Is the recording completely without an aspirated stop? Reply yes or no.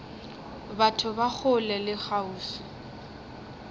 no